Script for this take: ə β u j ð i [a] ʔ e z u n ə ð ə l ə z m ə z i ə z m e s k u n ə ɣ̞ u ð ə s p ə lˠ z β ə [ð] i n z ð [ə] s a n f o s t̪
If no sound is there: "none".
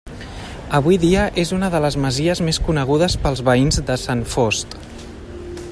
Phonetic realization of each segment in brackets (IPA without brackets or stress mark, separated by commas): ə, none, ə